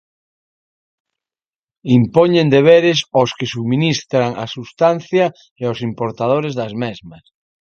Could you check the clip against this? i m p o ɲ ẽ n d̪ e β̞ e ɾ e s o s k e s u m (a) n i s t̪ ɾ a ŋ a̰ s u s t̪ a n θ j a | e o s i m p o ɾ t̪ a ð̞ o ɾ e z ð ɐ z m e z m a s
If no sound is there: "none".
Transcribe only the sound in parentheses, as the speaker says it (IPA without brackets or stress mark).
i